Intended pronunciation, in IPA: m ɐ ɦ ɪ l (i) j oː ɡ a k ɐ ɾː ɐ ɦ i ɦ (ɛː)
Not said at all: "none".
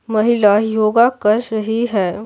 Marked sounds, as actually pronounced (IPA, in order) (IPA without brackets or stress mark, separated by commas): a, ɛː